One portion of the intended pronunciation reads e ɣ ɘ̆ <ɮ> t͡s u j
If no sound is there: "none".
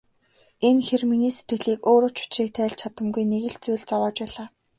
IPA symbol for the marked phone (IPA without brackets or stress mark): ɮ